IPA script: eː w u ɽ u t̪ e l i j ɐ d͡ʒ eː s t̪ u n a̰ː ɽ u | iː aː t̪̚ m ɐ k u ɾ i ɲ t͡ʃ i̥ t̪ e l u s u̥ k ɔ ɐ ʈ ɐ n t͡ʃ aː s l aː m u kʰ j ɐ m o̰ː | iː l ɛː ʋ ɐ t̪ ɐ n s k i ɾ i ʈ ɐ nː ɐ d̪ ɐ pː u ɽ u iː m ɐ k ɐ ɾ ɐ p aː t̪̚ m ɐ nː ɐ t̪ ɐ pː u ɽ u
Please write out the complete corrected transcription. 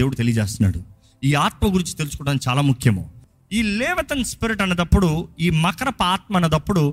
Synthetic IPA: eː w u ɽ u t̪ e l i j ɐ d͡ʒ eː s t̪ u n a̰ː ɽ u | iː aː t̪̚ m ɐ ɡ u ɾ i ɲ t͡ʃ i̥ t̪ e l u s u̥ k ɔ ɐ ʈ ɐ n t͡ʃ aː l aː m u kʰ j ɐ m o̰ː | iː l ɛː ʋ ɐ t̪ ɐ n s p i ɾ i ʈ ɐ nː ɐ d̪ ɐ pː u ɽ u iː m ɐ k ɐ ɾ ɐ p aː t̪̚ m ɐ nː ɐ d̪ ɐ pː u ɽ u